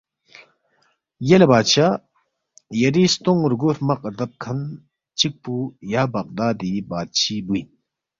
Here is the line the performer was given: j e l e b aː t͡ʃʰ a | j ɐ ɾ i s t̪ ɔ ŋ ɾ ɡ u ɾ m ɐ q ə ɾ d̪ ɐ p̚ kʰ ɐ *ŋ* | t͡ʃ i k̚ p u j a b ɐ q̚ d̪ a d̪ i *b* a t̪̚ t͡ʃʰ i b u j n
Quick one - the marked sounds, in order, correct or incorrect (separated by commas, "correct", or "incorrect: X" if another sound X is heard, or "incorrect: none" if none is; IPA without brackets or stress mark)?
incorrect: n, correct